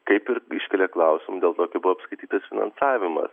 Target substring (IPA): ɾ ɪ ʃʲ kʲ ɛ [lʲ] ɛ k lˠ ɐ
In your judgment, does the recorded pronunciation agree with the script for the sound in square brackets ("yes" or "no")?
yes